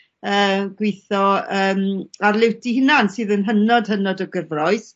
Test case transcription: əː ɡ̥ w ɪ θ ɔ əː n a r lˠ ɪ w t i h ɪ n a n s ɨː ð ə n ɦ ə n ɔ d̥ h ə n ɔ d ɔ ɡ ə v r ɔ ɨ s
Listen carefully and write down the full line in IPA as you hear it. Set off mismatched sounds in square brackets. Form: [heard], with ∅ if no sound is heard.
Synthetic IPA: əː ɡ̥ w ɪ θ ɔ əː [m] a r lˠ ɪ w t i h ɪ n a n s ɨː ð ə n ɦ ə n ɔ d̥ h ə n ɔ d ɔ ɡ ə v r ɔ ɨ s